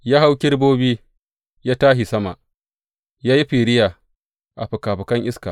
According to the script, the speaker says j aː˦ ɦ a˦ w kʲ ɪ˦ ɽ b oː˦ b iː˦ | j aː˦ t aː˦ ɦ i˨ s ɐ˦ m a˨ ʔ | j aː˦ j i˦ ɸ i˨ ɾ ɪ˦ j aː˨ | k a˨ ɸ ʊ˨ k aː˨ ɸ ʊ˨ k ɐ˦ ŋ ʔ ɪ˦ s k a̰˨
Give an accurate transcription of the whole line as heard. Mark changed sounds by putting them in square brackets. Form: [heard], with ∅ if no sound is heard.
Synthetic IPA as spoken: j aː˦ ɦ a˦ w kʲ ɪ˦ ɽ b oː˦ b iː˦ | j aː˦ t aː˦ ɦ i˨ s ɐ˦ m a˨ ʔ | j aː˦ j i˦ ɸ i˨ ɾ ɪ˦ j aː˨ | [ʔ] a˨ ɸ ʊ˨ k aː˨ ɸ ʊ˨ k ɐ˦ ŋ ʔ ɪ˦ s k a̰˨